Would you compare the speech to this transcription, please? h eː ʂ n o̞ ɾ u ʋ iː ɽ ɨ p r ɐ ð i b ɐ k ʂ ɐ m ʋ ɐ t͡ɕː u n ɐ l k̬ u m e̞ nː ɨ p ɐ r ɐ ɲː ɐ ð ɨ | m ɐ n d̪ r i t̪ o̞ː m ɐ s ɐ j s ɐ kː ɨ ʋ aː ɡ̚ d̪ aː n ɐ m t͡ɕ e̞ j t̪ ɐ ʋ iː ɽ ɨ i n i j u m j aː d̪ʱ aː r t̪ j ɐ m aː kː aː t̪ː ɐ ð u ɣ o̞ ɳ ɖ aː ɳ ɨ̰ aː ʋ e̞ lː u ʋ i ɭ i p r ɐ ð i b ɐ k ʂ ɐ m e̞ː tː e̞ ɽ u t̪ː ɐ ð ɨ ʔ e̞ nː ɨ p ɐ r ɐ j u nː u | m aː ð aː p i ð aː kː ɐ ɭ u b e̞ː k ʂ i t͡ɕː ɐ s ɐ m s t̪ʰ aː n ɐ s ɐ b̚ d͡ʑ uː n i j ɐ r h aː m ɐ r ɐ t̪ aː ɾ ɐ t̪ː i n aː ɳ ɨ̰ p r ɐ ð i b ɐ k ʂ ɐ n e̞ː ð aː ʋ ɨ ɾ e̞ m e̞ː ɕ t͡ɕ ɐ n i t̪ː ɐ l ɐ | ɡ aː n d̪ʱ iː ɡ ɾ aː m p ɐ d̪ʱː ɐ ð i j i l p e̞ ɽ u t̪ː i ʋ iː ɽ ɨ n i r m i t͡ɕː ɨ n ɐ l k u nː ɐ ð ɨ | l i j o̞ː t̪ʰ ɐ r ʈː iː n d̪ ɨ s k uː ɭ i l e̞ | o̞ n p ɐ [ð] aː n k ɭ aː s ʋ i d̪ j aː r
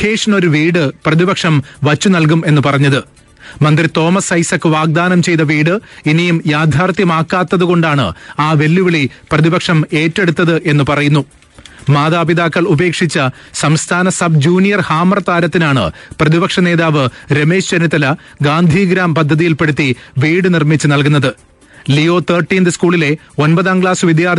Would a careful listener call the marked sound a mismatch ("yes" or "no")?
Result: no